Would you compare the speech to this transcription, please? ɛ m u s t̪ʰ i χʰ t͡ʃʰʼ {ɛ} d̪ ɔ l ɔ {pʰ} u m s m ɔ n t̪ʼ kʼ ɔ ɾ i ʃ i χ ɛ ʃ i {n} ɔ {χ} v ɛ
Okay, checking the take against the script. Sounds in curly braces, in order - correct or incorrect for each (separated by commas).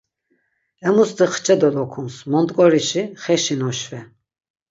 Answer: correct, incorrect, correct, incorrect